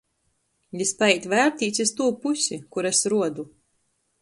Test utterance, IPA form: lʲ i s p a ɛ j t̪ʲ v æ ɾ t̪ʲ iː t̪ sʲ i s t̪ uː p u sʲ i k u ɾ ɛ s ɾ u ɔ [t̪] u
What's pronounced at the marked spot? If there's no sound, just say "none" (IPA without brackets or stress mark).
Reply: d̪